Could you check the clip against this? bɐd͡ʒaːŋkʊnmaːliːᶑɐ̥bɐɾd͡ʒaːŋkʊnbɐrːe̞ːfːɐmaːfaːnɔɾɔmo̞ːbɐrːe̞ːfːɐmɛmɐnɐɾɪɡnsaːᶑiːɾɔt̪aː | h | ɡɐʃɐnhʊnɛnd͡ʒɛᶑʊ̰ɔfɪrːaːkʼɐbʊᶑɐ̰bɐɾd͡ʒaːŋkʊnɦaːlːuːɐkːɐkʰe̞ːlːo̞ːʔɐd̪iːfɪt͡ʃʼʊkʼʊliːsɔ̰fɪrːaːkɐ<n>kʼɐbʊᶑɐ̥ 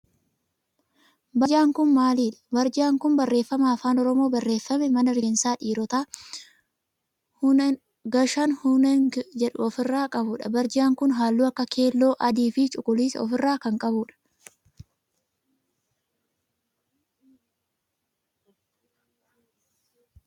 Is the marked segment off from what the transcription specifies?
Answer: yes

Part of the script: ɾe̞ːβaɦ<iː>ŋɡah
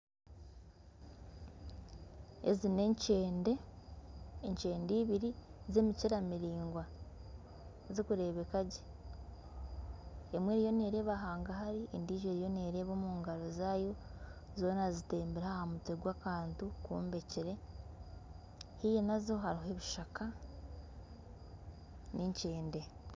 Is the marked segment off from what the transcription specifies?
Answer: yes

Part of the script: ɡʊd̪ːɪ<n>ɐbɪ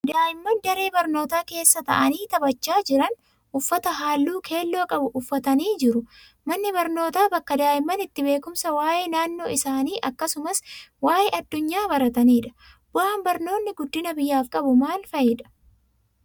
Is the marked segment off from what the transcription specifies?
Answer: no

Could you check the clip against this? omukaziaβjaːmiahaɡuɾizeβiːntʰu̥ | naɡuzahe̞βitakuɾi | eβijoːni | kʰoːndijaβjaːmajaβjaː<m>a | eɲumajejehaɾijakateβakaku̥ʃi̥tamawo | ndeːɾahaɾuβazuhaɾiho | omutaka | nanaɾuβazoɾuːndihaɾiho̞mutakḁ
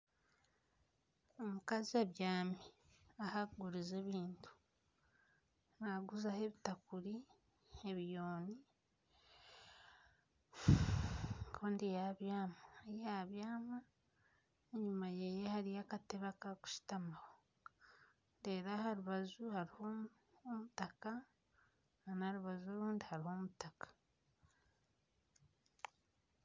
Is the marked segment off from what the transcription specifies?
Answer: no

